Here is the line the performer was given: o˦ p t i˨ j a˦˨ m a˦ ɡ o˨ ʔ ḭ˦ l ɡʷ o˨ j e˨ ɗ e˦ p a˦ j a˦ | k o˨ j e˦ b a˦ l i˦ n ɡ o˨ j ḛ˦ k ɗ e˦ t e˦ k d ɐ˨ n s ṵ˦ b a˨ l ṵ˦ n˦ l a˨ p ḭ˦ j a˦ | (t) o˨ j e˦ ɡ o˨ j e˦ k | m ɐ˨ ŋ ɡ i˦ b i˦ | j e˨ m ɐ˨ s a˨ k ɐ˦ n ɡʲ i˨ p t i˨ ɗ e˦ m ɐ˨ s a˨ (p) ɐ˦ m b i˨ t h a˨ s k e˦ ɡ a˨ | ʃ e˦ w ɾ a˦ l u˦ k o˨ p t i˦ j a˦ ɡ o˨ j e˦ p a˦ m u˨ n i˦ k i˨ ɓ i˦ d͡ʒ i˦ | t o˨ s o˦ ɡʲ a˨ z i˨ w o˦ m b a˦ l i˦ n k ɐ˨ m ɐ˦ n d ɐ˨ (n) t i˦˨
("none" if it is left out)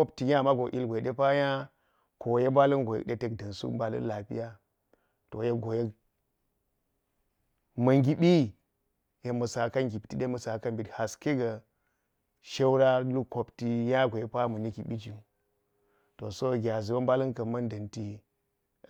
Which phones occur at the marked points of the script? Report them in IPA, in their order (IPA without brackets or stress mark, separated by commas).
t, k, n